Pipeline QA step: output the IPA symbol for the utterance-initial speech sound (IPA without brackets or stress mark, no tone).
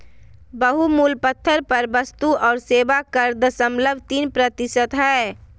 b